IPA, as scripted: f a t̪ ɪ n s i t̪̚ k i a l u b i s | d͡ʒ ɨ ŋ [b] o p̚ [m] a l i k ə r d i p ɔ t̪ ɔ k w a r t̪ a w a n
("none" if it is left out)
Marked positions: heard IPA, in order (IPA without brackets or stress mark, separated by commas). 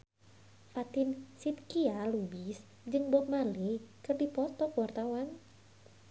b, m